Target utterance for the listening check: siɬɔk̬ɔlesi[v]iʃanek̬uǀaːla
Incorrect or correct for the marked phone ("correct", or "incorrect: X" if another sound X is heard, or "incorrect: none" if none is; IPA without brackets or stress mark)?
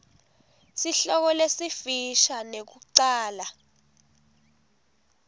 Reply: incorrect: f